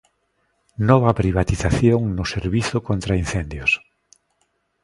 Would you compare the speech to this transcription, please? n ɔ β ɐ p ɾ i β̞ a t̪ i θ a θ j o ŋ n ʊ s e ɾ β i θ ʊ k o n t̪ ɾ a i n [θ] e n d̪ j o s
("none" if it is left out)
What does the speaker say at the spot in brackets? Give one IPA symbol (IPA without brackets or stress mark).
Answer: θ